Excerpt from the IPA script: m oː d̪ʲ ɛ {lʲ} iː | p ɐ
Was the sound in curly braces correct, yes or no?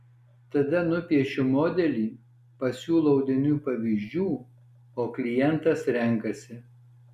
yes